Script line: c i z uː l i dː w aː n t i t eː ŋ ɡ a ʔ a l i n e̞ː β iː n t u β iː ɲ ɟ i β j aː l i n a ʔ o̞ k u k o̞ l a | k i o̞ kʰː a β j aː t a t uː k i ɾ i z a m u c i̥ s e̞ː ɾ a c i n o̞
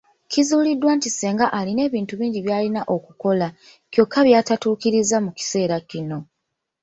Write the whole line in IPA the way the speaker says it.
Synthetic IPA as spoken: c i z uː l i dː w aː n t i s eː ŋ ɡ a ʔ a l i n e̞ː β iː n t u β iː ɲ ɟ i β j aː l i n a ʔ o̞ k u k o̞ l a | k j o̞ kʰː a β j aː t a t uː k i ɾ i z a m u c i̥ s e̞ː ɾ a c i n o̞